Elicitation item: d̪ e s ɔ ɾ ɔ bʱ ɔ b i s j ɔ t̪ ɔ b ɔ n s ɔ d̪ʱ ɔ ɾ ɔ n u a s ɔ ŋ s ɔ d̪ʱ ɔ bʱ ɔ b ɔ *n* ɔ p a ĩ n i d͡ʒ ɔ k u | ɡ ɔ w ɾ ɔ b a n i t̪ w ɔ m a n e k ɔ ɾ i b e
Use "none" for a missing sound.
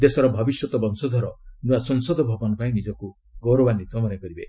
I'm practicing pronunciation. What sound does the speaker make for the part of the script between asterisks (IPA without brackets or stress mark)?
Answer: n